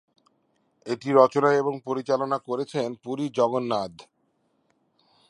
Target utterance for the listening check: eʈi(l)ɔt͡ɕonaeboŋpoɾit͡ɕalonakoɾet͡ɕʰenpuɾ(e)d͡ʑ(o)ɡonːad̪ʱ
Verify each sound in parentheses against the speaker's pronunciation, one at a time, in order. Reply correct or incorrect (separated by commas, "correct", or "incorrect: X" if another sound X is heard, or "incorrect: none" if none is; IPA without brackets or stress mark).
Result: incorrect: ɾ, incorrect: i, incorrect: ɔ